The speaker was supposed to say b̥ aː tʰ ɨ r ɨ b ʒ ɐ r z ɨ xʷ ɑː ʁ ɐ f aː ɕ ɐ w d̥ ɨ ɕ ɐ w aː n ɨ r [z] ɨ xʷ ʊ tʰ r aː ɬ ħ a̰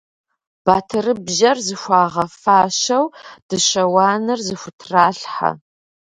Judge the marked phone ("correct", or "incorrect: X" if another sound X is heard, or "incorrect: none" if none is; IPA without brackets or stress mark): correct